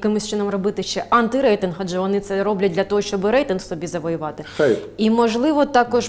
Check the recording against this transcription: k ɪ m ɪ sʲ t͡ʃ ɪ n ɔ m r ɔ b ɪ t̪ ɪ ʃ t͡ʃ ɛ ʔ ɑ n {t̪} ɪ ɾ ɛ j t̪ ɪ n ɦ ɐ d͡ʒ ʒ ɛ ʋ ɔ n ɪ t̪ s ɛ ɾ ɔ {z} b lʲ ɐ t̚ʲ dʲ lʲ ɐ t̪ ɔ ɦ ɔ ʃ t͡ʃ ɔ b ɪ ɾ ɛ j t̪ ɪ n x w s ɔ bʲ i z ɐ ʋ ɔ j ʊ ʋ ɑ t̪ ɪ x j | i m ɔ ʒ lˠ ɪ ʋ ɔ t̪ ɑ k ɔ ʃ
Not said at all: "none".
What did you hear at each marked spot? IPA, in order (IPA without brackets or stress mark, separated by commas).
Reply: t̪, none